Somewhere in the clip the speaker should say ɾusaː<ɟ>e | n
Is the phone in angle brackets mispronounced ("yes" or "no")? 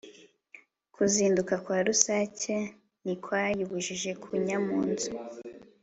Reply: yes